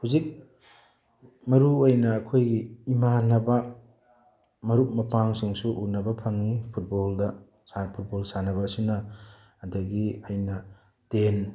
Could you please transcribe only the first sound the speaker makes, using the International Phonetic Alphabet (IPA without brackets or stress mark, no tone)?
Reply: h